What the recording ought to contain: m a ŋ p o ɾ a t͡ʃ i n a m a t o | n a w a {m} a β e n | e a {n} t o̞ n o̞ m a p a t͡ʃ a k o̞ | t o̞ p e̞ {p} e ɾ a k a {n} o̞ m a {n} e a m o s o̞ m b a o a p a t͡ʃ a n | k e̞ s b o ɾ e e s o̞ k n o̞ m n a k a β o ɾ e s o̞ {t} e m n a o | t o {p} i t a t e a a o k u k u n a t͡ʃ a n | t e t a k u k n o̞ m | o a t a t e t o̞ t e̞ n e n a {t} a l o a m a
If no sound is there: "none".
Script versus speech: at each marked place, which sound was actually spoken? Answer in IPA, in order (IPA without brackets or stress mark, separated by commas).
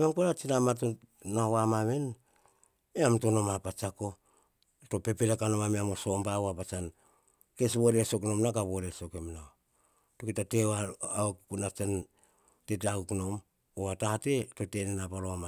m, m, p, n, m, k, k, p